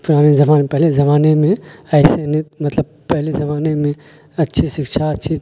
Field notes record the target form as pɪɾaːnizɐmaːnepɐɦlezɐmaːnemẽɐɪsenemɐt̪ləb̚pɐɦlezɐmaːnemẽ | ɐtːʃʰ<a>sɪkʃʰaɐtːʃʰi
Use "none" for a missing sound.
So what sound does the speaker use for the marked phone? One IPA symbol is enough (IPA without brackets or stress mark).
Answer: i